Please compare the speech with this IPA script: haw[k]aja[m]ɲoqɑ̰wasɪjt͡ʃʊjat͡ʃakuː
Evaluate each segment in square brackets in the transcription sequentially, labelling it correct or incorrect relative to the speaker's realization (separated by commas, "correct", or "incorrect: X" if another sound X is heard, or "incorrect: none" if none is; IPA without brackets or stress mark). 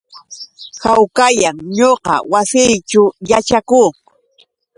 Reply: correct, incorrect: ŋ